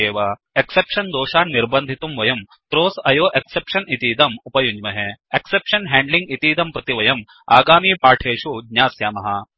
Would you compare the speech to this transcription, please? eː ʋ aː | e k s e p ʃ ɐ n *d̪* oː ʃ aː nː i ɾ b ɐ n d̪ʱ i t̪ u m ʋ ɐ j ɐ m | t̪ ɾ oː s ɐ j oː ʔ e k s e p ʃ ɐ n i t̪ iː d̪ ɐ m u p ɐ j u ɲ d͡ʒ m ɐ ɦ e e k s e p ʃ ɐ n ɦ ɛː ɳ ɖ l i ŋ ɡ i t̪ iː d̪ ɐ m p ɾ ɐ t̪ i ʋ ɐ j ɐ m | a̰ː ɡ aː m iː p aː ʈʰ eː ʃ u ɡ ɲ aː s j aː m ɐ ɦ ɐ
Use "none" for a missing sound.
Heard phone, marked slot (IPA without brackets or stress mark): d̪